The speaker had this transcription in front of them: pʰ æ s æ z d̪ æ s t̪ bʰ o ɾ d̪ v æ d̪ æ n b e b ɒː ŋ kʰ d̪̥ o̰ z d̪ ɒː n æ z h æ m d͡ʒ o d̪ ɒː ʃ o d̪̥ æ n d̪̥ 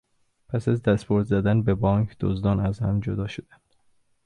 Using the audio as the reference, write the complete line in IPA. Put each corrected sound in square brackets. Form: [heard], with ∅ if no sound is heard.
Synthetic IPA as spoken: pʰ æ s æ z d̪ æ s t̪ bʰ o ɾ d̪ [z] æ d̪ æ n b e b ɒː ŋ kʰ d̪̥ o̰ z d̪ ɒː n æ z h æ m d͡ʒ o d̪ ɒː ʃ o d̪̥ æ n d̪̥